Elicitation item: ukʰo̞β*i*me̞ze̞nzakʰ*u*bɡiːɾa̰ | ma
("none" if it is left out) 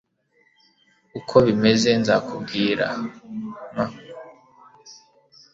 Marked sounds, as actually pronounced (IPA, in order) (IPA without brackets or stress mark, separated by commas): i, u